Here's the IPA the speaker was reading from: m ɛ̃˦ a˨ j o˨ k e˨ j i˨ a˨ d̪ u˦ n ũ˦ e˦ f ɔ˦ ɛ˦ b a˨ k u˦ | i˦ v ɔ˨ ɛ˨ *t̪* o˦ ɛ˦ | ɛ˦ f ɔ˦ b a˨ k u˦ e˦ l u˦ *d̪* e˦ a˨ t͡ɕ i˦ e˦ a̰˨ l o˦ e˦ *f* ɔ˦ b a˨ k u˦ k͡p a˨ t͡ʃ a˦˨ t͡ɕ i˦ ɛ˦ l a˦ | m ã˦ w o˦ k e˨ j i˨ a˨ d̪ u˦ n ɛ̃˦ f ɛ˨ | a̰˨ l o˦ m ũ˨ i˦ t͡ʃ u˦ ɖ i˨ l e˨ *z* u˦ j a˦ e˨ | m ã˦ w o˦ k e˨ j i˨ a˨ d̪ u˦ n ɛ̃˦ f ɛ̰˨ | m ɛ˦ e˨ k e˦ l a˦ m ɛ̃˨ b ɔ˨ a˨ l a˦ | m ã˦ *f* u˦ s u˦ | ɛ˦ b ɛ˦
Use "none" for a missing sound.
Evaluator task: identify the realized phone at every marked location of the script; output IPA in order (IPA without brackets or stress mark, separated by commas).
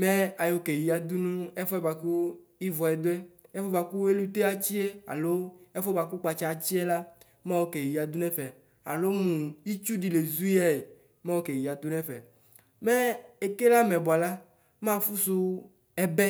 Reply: d̪, t̪, f, z, f